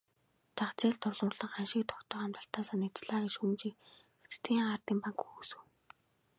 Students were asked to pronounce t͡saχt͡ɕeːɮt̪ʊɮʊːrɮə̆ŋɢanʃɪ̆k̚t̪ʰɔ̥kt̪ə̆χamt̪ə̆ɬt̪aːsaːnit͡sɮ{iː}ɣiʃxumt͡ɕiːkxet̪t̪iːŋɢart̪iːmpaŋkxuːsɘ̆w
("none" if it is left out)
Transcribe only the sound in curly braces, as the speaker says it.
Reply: aː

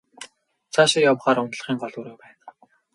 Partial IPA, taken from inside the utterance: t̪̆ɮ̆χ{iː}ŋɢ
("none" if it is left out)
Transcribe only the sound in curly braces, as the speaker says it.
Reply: iː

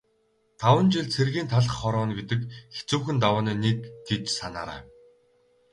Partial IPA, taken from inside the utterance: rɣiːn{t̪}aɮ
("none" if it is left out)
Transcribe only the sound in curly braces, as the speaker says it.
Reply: t̪ʰ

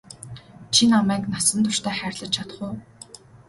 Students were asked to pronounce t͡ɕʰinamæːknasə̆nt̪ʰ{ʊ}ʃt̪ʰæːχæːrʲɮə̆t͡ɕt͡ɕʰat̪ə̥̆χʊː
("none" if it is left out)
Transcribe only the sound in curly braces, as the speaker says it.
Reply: ʊ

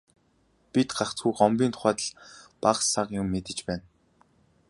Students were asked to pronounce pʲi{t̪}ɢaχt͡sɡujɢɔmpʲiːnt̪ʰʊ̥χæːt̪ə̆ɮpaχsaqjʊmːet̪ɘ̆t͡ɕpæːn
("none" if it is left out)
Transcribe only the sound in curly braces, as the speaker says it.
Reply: t̪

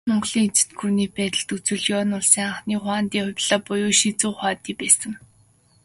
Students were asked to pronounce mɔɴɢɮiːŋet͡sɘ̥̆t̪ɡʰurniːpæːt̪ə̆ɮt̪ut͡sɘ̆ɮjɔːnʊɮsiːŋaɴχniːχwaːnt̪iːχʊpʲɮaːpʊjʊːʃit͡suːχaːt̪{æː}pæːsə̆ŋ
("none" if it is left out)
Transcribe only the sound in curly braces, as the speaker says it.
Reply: iː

